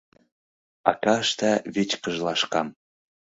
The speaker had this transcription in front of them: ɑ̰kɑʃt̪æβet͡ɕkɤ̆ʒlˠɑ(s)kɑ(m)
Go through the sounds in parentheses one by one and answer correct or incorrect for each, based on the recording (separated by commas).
incorrect, correct